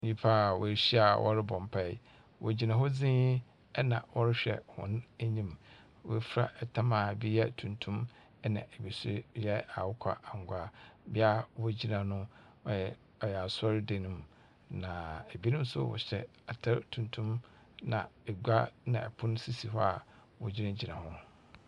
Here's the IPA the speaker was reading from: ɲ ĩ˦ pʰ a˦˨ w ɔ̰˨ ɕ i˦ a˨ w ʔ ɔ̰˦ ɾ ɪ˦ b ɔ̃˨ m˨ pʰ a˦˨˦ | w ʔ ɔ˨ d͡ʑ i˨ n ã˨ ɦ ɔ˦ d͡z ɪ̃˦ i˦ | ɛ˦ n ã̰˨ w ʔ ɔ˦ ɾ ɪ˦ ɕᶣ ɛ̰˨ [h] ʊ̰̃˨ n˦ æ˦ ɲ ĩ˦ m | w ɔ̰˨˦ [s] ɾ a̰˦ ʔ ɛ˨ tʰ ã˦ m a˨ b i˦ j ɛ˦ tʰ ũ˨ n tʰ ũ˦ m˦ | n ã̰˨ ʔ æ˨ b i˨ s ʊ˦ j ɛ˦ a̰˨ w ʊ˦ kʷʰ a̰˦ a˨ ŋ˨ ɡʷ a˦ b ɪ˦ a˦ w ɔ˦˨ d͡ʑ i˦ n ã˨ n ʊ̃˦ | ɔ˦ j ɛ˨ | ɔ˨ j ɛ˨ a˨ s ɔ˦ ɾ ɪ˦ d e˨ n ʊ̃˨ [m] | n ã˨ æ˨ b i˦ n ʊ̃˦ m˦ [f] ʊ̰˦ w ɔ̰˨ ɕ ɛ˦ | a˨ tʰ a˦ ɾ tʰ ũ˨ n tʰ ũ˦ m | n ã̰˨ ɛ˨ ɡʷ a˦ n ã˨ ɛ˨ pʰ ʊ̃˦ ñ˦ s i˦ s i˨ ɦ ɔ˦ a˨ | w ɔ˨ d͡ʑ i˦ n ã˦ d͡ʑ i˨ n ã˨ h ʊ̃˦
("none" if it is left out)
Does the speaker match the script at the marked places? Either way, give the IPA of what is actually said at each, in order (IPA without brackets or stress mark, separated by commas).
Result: h, f, m, s